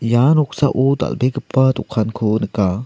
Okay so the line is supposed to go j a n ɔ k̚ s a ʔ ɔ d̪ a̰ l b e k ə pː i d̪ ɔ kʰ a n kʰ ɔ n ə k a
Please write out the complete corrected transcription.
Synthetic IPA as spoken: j a n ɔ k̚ s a ʔ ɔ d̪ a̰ l b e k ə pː a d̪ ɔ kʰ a n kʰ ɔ n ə k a